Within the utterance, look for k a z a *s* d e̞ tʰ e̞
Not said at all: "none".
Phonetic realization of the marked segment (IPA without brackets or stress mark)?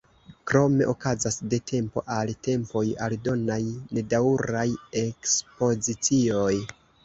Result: s